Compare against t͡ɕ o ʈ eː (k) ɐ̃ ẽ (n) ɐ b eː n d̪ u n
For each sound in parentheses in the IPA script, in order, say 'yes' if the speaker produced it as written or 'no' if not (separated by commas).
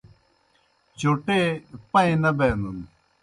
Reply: no, yes